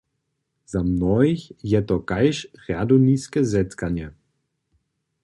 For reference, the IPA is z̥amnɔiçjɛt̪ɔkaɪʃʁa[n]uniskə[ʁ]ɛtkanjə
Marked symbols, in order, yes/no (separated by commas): no, no